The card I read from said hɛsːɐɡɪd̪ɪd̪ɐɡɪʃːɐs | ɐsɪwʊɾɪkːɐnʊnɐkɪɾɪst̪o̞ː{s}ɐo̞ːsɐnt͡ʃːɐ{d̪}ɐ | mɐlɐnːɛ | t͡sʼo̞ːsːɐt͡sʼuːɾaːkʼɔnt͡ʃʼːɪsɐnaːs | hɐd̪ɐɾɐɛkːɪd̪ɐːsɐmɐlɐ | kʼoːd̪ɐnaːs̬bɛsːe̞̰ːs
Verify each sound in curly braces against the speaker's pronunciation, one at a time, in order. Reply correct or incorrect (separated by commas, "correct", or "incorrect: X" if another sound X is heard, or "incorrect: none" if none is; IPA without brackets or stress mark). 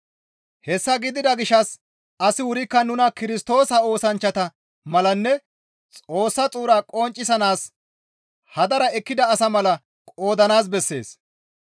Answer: correct, incorrect: t̪